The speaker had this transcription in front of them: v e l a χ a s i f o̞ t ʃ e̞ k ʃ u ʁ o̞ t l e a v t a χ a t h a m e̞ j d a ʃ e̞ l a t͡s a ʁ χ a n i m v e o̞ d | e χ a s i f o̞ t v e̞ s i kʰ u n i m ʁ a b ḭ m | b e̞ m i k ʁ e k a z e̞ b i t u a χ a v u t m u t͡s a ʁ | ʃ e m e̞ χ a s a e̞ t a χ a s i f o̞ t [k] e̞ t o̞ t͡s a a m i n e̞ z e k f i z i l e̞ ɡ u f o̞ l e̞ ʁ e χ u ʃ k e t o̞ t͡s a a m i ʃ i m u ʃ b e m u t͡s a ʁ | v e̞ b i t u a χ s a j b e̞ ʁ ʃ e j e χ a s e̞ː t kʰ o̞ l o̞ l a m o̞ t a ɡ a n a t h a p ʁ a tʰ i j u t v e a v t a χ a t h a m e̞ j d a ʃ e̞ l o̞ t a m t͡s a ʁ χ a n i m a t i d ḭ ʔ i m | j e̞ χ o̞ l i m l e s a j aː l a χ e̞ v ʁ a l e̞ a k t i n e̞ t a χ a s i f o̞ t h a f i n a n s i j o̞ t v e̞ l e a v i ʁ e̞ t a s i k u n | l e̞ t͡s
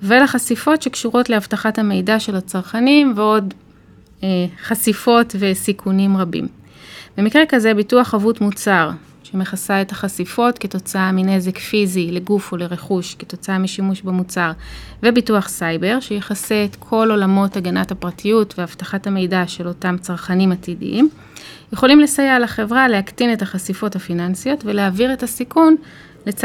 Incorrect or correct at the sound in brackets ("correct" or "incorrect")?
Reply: correct